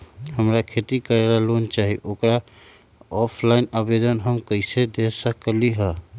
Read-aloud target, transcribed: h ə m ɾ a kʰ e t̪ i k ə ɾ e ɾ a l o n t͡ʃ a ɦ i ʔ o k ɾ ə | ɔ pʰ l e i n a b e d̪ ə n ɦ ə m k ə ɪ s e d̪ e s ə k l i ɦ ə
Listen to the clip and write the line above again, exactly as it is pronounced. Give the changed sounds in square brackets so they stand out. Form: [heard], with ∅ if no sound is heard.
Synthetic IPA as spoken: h ə m ɾ a kʰ e t̪ i k ə ɾ e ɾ a l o n t͡ʃ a ɦ i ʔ o k ɾ [a] | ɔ pʰ l [a] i n a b e d̪ ə n ɦ ə m k ə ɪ s e d̪ e s ə k l i ɦ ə